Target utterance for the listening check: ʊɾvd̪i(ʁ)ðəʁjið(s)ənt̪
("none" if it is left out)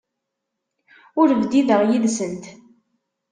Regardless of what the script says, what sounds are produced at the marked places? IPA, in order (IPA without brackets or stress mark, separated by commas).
none, s